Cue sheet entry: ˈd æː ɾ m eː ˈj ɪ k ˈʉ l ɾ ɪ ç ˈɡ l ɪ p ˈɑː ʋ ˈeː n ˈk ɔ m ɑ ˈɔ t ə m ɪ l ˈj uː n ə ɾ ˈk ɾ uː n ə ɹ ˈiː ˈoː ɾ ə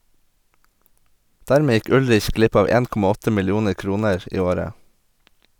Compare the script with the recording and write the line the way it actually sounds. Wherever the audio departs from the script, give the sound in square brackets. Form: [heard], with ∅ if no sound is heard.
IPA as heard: ˈd æː ɾ m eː ˈj ɪ k ˈʉ l ɾ ɪ ç ˈɡ l ɪ p ˈɑː ʋ ˈeː n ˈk ɔ m ɑ ˈɔ t ə m ɪ l ˈj uː n ə ɾ ˈk ɾ uː n ə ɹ ˈiː ˈoː ɾ ə